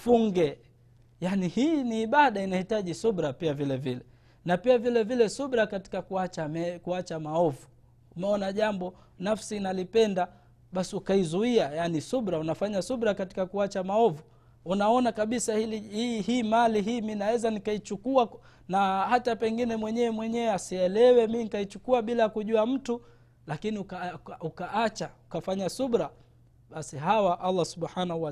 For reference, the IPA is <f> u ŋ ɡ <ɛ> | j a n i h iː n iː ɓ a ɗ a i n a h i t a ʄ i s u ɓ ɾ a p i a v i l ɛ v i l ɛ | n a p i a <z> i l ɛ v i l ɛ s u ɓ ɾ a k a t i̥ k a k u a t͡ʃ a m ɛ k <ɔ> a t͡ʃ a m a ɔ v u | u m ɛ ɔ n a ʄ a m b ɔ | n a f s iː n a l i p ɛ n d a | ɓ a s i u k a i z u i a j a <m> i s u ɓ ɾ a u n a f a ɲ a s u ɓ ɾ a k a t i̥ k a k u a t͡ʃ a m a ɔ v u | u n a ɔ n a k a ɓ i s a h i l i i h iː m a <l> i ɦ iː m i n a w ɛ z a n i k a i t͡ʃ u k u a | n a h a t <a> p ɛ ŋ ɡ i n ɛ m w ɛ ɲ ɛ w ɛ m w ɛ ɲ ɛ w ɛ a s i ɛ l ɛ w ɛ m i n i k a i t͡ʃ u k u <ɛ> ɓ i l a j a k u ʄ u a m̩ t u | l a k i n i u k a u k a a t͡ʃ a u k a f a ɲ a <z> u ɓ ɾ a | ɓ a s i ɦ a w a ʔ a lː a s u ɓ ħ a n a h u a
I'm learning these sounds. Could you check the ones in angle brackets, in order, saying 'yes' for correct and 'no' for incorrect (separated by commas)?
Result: yes, yes, no, no, no, yes, yes, no, no